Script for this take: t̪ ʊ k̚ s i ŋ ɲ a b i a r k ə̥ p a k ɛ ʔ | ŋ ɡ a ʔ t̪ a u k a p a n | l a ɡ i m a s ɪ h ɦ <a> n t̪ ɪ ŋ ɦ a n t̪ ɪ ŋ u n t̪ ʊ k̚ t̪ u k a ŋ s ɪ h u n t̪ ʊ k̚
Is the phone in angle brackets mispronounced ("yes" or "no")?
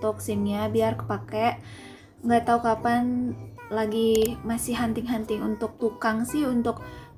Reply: no